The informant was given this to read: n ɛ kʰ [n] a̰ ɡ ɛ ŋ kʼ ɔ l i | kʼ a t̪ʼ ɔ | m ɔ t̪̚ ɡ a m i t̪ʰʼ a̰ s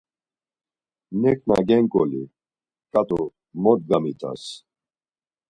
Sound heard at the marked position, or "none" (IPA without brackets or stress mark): n